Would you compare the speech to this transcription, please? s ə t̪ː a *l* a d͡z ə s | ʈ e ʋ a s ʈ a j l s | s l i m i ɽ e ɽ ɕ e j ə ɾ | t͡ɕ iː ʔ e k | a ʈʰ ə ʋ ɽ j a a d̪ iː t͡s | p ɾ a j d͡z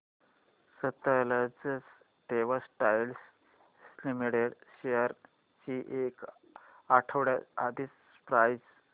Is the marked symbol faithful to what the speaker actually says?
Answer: yes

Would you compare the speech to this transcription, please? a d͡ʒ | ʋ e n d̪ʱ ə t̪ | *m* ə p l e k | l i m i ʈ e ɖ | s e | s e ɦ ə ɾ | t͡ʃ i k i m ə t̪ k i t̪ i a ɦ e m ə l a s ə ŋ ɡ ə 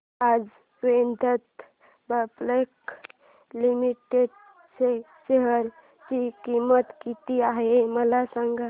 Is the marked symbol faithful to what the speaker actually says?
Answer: no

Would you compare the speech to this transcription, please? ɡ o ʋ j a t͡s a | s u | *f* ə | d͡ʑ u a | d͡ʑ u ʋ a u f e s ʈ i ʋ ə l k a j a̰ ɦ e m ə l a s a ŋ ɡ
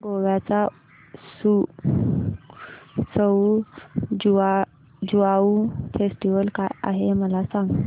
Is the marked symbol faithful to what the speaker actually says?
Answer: no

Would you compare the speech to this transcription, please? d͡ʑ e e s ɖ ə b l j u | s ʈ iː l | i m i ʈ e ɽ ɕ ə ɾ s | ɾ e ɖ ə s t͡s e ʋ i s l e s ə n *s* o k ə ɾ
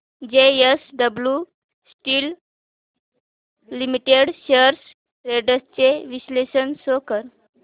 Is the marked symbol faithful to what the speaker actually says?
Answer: yes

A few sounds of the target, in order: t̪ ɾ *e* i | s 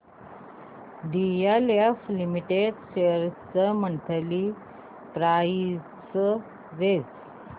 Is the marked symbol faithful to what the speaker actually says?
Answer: no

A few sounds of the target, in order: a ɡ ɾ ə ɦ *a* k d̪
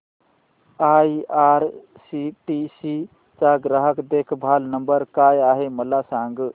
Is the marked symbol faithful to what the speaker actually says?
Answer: no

